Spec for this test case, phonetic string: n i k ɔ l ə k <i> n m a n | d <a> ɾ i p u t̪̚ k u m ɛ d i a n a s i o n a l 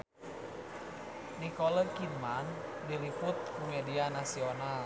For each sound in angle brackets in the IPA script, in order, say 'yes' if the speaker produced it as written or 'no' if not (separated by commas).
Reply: yes, no